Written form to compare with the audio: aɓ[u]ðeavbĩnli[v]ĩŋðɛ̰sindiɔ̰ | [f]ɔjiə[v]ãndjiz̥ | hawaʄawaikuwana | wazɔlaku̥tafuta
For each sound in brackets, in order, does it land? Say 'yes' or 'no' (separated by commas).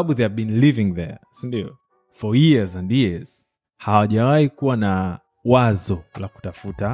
yes, yes, yes, no